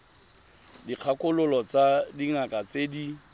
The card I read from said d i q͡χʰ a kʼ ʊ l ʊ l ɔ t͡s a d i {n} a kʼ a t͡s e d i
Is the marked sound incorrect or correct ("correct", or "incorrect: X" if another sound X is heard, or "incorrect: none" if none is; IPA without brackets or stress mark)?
incorrect: ŋ